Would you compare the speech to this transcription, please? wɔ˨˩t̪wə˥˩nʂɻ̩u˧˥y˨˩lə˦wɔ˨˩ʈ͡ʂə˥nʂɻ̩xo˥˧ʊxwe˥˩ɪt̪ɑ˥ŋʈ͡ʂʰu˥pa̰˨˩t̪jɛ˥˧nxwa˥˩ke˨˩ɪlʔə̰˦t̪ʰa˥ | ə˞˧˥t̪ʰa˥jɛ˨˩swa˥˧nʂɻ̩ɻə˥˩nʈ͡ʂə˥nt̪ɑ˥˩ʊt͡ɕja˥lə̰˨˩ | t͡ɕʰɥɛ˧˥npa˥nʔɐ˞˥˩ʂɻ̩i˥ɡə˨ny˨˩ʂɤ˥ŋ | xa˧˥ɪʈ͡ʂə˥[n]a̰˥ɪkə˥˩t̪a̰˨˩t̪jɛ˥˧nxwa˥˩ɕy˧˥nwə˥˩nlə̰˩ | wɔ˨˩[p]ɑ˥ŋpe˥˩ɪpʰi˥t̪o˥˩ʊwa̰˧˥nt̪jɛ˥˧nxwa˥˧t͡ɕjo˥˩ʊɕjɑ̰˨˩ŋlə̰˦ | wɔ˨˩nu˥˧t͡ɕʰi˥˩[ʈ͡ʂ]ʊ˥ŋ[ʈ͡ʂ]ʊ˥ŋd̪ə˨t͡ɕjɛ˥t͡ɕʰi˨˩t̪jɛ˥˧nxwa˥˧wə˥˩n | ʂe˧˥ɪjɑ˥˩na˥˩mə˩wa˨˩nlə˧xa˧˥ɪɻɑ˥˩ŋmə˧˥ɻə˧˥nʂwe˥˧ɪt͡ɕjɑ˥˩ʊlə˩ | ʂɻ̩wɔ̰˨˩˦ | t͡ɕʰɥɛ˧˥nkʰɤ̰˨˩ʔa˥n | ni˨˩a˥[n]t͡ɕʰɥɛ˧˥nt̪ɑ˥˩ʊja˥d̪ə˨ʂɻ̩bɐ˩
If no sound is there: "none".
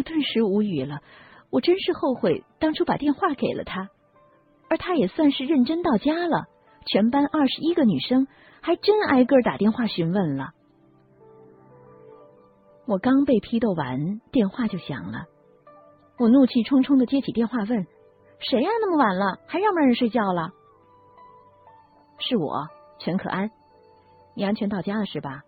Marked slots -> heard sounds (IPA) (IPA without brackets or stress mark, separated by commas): n, k, ʈ͡ʂʰ, ʈ͡ʂʰ, n